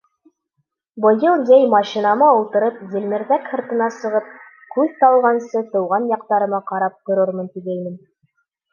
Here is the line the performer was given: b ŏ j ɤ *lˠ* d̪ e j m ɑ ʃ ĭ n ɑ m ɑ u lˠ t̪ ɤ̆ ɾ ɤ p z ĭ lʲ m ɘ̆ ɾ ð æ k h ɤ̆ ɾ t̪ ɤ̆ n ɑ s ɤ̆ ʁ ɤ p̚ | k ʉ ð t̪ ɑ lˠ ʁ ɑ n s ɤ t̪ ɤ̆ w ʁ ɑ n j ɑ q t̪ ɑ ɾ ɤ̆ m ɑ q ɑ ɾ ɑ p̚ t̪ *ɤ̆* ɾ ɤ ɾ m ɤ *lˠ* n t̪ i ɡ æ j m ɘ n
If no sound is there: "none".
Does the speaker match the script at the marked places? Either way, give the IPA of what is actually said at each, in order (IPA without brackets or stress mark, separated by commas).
lˠ, ŏ, none